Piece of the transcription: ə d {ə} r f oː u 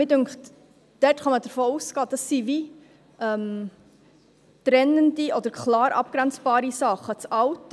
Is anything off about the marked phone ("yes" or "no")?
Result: no